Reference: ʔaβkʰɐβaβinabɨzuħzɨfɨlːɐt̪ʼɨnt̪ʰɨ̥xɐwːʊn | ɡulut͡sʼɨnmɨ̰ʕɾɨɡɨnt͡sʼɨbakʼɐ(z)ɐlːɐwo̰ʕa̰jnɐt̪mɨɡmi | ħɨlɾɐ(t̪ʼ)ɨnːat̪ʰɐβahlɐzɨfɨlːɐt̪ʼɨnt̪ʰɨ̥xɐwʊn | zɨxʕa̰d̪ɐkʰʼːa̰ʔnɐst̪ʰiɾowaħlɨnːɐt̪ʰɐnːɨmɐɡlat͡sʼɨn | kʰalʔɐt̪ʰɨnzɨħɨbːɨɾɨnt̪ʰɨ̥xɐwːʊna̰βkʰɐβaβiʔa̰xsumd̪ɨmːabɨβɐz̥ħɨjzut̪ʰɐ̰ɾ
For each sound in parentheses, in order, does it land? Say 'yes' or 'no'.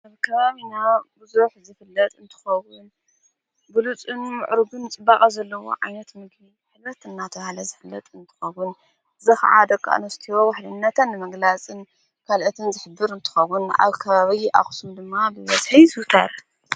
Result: yes, no

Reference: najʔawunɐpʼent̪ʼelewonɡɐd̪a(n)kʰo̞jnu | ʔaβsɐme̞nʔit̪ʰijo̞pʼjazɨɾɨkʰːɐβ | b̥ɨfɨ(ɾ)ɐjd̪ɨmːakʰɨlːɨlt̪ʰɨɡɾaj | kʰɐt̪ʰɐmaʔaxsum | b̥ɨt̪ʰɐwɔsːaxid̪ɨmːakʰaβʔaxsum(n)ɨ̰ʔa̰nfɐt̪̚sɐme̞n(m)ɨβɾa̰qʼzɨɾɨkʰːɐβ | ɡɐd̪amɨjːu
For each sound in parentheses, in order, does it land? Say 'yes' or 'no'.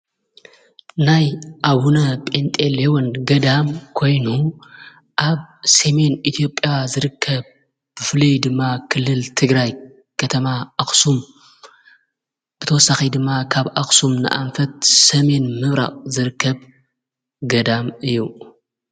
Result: no, no, yes, yes

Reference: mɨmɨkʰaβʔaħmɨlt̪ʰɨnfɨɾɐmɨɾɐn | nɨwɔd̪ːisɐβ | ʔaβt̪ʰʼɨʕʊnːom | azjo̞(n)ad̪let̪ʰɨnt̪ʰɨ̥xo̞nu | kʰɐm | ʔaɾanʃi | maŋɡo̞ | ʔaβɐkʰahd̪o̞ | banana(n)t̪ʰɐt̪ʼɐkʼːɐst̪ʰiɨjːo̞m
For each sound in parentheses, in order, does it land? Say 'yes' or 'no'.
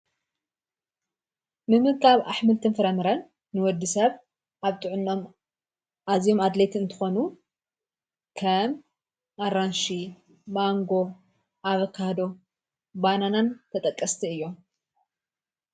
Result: no, yes

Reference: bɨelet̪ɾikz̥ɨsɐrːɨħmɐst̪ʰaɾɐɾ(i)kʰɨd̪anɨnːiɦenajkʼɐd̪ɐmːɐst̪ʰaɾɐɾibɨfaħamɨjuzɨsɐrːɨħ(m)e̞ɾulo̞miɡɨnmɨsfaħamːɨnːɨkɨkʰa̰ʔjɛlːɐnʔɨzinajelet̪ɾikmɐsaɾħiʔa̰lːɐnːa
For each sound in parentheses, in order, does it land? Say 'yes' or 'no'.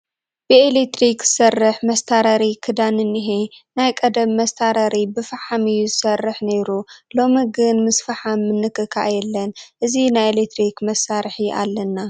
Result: yes, no

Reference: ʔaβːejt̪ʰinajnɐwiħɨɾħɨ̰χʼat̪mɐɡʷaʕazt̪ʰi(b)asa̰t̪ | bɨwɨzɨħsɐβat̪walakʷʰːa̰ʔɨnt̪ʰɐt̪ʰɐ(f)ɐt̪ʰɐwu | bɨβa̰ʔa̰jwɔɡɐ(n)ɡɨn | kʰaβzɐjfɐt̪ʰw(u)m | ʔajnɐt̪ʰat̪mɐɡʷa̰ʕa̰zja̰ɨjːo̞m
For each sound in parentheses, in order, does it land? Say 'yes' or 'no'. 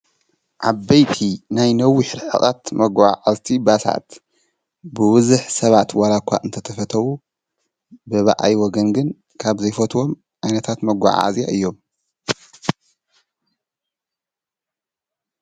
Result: yes, yes, yes, no

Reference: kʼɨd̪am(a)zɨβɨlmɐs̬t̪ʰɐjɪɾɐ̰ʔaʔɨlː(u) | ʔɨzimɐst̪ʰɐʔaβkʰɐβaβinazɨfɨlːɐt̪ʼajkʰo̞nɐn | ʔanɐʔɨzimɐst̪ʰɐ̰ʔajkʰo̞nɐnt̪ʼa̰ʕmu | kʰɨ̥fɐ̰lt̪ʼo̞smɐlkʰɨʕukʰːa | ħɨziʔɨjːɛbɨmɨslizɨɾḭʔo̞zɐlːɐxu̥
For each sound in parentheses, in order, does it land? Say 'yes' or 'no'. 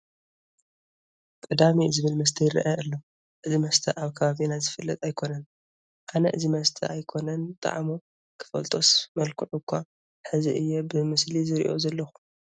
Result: no, no

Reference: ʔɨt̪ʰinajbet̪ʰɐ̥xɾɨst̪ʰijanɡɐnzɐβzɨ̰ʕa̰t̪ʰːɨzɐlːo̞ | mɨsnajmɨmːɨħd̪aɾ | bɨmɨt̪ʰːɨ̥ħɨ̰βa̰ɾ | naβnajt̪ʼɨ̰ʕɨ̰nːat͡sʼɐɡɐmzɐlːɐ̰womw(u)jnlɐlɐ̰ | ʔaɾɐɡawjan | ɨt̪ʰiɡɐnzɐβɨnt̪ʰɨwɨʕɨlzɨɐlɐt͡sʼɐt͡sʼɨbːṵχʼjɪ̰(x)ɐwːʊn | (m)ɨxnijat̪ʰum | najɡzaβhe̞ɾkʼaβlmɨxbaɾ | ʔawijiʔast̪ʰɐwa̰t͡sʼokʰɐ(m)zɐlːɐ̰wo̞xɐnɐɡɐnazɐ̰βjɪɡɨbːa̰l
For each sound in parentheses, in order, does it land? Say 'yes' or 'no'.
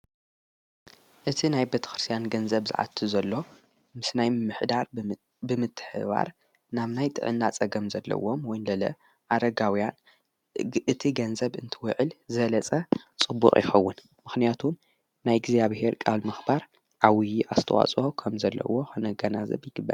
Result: no, yes, yes, yes

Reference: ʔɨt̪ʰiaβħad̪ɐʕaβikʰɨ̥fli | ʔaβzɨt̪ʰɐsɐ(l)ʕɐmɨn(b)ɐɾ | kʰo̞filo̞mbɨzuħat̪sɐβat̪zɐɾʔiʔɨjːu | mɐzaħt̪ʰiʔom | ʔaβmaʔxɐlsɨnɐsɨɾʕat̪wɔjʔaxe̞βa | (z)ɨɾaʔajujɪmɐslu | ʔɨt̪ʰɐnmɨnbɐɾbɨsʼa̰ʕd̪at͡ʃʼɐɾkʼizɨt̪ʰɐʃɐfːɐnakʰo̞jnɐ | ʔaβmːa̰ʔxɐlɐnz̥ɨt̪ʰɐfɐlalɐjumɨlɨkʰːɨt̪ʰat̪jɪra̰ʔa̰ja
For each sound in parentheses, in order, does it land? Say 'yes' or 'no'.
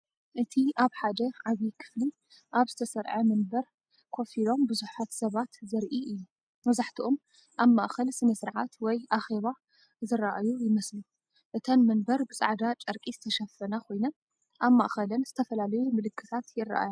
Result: no, yes, yes

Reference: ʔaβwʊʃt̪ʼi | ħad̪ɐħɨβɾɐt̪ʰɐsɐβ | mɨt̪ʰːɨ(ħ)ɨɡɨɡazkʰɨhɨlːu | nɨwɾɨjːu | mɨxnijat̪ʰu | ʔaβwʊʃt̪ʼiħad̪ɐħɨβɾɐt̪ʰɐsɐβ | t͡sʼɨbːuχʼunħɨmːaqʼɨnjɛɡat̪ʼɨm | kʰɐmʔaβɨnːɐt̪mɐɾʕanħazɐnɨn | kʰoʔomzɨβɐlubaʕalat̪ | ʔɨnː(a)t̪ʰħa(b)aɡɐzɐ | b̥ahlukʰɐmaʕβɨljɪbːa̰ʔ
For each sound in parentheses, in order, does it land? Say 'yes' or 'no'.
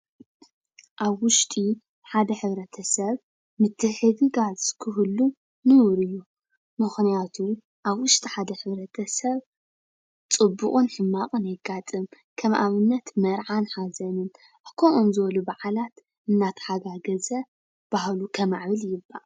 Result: yes, yes, no

